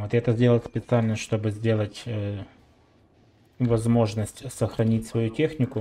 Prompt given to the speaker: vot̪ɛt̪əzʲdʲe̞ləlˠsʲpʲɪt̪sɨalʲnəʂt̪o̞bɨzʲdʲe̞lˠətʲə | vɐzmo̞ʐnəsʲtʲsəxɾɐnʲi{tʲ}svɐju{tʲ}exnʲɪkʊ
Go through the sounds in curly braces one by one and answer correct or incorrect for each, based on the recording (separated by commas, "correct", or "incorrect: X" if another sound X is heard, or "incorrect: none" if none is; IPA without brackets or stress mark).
correct, correct